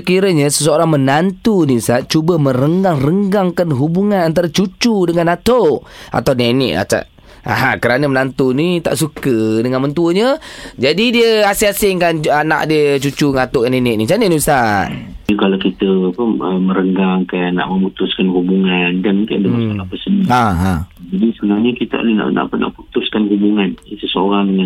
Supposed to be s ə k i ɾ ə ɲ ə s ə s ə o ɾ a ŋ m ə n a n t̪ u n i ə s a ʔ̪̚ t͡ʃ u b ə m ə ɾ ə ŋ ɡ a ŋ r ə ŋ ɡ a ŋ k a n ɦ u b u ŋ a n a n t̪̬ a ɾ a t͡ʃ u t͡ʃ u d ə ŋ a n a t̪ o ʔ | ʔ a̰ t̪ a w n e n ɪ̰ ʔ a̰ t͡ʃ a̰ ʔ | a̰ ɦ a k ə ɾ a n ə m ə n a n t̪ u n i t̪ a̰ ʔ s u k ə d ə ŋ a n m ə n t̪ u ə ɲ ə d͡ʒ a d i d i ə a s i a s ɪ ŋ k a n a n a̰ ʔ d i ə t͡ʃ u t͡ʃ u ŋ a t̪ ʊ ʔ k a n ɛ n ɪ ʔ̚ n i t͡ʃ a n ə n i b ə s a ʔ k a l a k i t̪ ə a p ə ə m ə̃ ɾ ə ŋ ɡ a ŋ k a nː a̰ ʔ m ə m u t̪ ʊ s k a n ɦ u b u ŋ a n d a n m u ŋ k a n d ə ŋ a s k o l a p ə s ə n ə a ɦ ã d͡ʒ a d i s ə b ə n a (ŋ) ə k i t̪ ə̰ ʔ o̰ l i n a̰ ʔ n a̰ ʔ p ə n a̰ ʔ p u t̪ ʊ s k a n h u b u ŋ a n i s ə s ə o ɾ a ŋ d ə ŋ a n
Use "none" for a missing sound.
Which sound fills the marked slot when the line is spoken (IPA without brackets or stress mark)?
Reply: ɲ